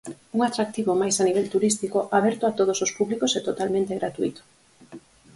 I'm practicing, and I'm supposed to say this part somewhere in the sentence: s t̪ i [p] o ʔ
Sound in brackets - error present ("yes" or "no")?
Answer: yes